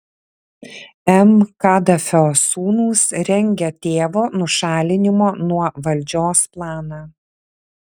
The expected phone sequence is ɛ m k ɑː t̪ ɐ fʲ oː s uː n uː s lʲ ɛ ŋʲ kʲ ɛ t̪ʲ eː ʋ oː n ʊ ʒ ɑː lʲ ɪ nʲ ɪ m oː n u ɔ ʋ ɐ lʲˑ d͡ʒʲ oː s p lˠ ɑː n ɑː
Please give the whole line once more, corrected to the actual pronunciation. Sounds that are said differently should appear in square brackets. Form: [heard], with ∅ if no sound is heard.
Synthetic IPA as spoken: ɛ m k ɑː [d̪] ɐ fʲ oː s uː n uː s [ɾʲ] ɛ ŋʲ [ɡʲ] ɛ t̪ʲ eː ʋ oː n ʊ [ʃ] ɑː lʲ ɪ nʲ ɪ m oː n u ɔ ʋ ɐ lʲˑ d͡ʒʲ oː s p lˠ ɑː n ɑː